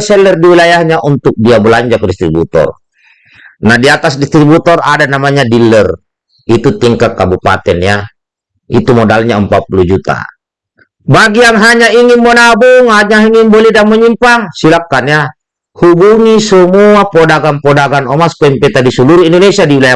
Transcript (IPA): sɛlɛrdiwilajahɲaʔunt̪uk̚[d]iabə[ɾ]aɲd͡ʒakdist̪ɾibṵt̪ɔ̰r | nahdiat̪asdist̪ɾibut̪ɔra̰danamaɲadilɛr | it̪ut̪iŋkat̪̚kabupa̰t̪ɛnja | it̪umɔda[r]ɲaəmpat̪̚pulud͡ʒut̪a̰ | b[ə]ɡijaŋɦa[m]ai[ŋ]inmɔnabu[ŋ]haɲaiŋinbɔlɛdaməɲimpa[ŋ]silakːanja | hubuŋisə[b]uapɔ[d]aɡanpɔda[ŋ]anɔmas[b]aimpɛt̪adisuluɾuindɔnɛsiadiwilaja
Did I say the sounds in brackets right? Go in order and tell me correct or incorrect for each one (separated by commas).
correct, incorrect, incorrect, incorrect, incorrect, correct, correct, correct, incorrect, correct, incorrect, incorrect